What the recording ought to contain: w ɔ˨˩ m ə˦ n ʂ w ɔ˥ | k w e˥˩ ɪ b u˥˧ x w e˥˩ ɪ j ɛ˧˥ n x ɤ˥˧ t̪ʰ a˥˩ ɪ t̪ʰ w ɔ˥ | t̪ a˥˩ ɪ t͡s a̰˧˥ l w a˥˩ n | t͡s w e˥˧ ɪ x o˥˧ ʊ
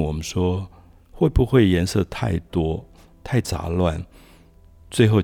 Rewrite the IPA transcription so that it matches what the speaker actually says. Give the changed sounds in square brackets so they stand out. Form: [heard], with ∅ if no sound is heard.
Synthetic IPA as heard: w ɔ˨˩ m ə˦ n ʂ w ɔ˥ | [x] w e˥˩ ɪ b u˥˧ x w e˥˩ ɪ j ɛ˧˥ n [s] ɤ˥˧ t̪ʰ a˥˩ ɪ [t̪] w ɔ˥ | [t̪ʰ] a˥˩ ɪ t͡s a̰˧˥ l w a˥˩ n | t͡s w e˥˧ ɪ x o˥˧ ʊ